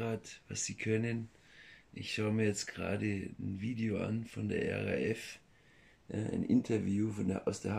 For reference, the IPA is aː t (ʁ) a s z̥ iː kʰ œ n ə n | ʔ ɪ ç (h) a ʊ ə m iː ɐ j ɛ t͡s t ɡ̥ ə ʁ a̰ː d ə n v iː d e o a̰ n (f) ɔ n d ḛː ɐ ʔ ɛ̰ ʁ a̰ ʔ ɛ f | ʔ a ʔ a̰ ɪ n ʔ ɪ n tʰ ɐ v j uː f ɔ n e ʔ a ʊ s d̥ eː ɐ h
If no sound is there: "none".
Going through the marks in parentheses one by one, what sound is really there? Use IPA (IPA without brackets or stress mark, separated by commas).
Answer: v, ʃ, f